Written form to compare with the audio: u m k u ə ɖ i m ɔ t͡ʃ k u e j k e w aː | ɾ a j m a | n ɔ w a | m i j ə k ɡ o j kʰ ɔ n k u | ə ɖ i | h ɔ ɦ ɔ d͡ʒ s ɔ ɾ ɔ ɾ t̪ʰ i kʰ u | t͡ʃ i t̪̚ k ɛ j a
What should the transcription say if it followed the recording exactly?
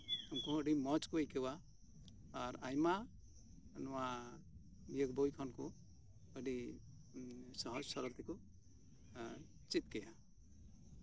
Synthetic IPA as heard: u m k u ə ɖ i m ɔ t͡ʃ k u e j k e w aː | ɾ a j m a | n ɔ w a | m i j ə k b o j kʰ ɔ n k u | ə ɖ i | s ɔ ɦ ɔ d͡ʒ s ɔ ɾ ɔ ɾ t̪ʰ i k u | t͡ʃ i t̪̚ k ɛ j a

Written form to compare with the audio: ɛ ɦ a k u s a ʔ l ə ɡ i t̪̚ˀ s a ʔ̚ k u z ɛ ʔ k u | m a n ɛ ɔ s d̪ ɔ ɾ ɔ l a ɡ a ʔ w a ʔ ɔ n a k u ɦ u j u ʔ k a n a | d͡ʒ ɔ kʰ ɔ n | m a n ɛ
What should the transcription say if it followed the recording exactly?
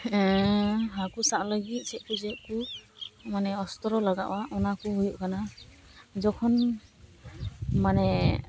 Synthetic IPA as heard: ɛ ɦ a k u s a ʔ l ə ɡ i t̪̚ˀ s ɛ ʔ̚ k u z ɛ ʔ k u | m a n ɛ ɔ s t̪ ɔ ɾ ɔ l a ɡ a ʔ w a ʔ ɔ n a k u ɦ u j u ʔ k a n a | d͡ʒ ɔ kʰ ɔ n | m a n ɛ

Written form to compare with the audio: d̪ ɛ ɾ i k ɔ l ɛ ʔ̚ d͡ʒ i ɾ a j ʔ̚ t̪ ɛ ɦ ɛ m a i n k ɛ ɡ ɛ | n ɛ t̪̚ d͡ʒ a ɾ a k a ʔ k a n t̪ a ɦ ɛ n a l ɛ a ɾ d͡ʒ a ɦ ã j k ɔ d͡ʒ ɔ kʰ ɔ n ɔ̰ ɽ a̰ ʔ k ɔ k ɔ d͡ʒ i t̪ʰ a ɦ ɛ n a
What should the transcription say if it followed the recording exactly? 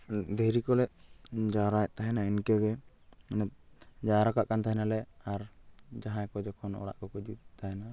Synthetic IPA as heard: d̪ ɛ ɾ i k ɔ l ɛ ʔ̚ d͡ʒ a ɾ a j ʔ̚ t̪ a ɦ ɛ n a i n k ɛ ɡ ɛ | n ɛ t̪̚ d͡ʒ a ɾ a k a ʔ k a n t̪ a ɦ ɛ n a l ɛ a ɾ d͡ʒ a ɦ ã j k ɔ d͡ʒ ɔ kʰ ɔ n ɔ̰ ɽ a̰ ʔ k ɔ k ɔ d͡ʒ i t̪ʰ a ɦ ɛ n a

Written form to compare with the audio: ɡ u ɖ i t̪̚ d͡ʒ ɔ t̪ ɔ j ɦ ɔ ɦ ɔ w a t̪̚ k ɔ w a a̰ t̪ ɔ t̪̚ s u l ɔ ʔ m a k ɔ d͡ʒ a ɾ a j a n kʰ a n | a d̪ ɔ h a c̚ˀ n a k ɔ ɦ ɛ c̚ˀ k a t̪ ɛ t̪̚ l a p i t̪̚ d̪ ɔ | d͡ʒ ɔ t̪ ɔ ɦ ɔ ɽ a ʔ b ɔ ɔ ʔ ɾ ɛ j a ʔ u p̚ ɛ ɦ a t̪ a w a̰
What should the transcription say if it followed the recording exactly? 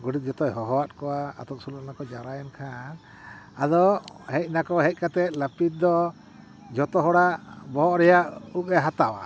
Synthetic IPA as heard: ɡ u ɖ i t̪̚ d͡ʒ ɔ t̪ ɔ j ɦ ɔ ɦ ɔ w a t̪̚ k ɔ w a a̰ t̪ ɔ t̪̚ s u l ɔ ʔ n a k ɔ d͡ʒ a ɾ a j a n kʰ a n | a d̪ ɔ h ɛ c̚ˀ n a k ɔ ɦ ɛ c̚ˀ k a t̪ ɛ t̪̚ l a p i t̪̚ d̪ ɔ | d͡ʒ ɔ t̪ ɔ ɦ ɔ ɽ a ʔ b ɔ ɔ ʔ ɾ ɛ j a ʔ u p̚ ɛ ɦ a t̪ a w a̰

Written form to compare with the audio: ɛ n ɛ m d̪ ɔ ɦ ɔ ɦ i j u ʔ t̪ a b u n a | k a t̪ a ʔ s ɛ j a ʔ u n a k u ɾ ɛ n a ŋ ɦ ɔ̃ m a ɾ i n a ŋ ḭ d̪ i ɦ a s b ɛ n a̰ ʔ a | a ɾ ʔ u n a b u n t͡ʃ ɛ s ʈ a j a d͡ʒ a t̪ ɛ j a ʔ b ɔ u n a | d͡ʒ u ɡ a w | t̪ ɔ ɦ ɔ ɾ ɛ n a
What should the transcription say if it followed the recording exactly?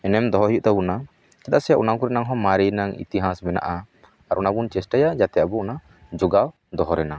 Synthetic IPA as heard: ɛ n ɛ m d̪ ɔ ɦ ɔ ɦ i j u ʔ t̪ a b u n a | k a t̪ a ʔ s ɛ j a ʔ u n a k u ɾ ɛ n a ŋ ɦ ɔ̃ m a ɾ i n a ŋ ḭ t̪ i ɦ a s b ɛ n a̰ ʔ a | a ɾ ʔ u n a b u n t͡ʃ ɛ s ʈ a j a d͡ʒ a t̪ ɛ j a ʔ b ɔ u n a | d͡ʒ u ɡ a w | d̪ ɔ ɦ ɔ ɾ ɛ n a

